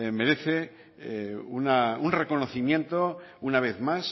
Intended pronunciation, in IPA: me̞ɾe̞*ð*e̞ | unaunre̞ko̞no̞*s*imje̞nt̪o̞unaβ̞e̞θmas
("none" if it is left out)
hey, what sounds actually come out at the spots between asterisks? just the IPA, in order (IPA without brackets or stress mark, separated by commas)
θ, θ